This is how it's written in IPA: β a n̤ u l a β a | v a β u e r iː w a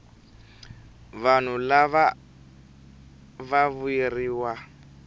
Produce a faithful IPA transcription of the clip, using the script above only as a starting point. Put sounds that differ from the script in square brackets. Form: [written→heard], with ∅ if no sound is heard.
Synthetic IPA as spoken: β a n̤ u l a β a | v a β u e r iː w a

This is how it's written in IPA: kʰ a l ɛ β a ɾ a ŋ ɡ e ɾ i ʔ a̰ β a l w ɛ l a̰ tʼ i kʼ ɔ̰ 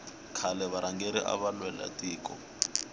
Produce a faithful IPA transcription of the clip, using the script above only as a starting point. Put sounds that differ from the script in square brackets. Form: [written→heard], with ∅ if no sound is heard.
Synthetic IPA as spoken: kʰ a l ɛ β a ɾ a ŋ ɡ e ɾ i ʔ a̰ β a l w ɛ l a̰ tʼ [i→iː] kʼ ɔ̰

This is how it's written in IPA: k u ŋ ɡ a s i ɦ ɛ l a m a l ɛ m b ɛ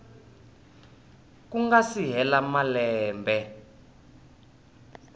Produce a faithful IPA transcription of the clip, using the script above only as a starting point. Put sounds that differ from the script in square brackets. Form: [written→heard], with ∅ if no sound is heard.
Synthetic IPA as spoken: k u ŋ ɡ a s i ɦ ɛ l a m a l [ɛ→ɛː] m b ɛ

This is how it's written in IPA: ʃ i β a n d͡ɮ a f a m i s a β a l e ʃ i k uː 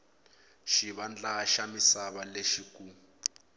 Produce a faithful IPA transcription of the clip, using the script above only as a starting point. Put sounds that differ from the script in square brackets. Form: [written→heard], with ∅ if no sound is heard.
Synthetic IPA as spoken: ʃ i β a n d͡ɮ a [f→ʃ] a m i s a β a l e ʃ i k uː

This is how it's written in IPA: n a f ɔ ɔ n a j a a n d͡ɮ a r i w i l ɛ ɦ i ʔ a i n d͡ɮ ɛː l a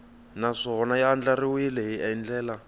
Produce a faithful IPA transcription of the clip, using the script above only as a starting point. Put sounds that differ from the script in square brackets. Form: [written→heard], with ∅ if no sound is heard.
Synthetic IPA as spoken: n a [f→ʂ] ɔ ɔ n a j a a n d͡ɮ a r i w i l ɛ ɦ i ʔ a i n d͡ɮ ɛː l a

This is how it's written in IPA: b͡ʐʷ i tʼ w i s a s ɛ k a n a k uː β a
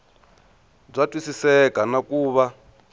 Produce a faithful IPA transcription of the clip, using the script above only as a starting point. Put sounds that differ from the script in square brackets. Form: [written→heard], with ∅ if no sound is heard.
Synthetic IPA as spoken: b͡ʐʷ [i→a] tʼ w i s [a→i] s ɛ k a n a k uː β a

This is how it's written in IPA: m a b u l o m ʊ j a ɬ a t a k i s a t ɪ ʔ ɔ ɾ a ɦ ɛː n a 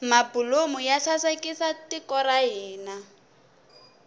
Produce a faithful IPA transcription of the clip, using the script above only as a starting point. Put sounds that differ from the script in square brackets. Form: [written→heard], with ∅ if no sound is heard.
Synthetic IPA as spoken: m a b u l o m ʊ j a ɬ a [t→s] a k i s a t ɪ [ʔ→k] ɔ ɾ a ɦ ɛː n a

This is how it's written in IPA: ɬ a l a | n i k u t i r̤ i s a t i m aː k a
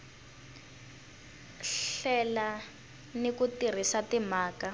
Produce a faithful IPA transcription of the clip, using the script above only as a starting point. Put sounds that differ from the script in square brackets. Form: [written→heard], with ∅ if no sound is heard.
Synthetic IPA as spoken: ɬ [a→ɛ] l a | n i k u t i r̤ i s a t i m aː k a

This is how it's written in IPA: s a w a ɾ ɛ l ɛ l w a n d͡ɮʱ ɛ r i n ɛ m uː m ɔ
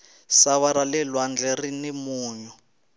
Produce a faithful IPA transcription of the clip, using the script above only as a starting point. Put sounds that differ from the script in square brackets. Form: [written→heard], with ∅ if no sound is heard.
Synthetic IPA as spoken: s a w a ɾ [ɛ→a] l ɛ l w a n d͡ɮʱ ɛ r i n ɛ m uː [m→ɲ] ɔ

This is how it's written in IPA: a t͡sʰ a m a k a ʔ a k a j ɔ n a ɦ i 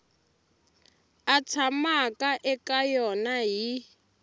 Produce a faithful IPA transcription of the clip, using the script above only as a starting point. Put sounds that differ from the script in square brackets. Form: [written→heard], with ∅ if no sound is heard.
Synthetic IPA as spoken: a t͡sʰ a m a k a ʔ [a→ɛ] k a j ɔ n a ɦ i

